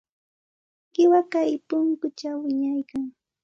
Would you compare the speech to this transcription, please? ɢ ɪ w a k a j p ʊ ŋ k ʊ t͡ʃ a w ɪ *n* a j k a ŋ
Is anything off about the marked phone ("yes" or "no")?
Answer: yes